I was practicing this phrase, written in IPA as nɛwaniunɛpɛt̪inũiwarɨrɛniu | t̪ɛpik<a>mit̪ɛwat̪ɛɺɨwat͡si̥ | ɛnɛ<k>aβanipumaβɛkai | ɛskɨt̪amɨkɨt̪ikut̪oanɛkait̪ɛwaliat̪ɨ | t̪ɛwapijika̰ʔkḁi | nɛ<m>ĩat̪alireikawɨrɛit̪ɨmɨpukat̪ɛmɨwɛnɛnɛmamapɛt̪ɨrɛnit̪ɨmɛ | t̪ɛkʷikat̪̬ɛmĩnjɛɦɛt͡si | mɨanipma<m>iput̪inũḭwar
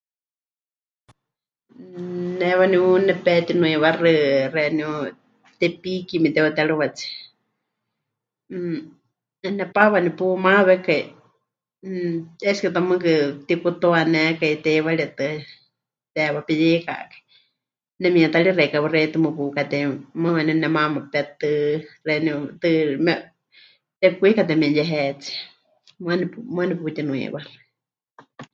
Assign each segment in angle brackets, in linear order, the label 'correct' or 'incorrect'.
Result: incorrect: i, incorrect: p, correct, incorrect: n

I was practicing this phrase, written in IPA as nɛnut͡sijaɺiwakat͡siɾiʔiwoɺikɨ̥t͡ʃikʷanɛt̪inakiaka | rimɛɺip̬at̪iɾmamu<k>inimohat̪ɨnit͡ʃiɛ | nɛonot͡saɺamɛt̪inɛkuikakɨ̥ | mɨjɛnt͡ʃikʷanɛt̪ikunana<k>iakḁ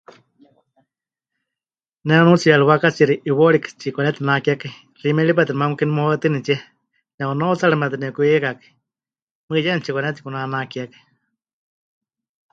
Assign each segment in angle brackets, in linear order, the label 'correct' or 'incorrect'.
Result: correct, correct

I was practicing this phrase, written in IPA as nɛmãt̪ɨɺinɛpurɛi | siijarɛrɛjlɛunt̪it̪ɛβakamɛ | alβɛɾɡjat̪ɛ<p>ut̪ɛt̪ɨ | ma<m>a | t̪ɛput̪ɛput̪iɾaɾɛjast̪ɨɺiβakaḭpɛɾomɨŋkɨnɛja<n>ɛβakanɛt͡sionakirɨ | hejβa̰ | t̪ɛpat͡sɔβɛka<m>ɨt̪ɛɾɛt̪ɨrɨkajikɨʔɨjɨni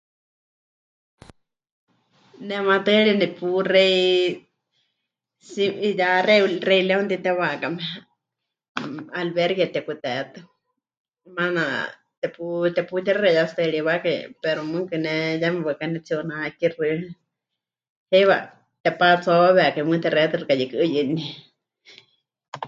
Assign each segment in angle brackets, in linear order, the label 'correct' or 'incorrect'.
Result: incorrect: k, incorrect: n, incorrect: m, correct

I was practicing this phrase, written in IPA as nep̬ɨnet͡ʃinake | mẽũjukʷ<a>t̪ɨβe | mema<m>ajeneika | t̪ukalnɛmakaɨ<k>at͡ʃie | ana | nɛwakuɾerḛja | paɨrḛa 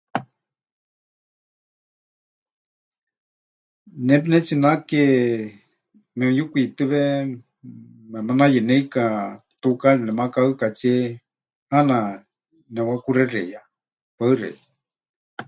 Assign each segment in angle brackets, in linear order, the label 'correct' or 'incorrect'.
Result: incorrect: i, incorrect: n, correct

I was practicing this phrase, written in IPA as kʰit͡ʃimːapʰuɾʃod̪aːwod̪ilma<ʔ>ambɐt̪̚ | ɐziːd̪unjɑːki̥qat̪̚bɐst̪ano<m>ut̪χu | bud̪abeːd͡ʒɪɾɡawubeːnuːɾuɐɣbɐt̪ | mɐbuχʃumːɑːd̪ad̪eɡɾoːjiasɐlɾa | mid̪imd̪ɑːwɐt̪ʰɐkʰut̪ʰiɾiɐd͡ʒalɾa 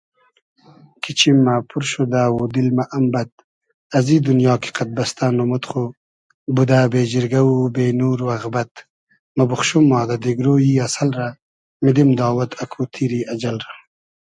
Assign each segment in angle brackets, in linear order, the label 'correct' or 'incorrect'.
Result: correct, correct

